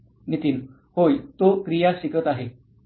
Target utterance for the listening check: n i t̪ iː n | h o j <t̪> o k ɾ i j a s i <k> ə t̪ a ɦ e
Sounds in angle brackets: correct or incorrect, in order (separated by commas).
correct, correct